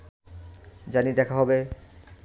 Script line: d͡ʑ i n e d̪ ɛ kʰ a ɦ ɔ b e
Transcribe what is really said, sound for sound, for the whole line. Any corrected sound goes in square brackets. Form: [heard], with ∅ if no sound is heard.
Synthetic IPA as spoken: d͡ʑ [a] n [i] d̪ ɛ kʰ a ɦ ɔ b e